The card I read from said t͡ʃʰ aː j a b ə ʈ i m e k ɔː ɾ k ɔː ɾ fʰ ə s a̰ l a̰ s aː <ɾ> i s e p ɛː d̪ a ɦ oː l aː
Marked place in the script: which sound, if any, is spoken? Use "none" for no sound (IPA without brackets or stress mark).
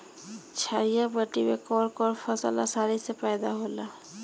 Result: ɾ